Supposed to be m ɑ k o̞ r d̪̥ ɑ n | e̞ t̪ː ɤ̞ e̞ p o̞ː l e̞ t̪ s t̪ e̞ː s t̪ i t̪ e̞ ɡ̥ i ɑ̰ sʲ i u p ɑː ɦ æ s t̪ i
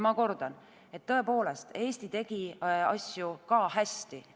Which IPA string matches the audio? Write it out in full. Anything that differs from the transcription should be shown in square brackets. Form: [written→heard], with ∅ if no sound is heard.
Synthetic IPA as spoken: m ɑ k o̞ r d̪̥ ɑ n | e̞ t̪ː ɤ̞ e̞ p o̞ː l e̞ [t̪→∅] s t̪ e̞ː s t̪ i t̪ e̞ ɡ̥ i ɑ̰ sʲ [i→j] u [p→k] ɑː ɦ æ s t̪ i